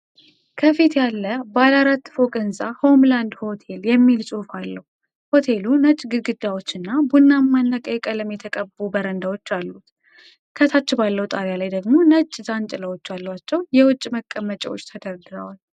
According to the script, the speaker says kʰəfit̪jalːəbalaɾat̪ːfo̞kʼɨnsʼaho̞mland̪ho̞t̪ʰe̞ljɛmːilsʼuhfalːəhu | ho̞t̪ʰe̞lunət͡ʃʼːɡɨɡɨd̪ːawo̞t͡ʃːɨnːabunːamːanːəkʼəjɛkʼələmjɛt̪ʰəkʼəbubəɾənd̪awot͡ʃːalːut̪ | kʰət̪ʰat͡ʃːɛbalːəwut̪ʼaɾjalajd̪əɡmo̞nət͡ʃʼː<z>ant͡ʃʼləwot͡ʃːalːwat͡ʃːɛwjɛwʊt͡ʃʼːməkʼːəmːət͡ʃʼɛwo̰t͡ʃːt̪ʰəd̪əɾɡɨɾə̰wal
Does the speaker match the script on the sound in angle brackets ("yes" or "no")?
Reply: yes